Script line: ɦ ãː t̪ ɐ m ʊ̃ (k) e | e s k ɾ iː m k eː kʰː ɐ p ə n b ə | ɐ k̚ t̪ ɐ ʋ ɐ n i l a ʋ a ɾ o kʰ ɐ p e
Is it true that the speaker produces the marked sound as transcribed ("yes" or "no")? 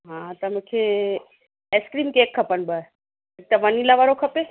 no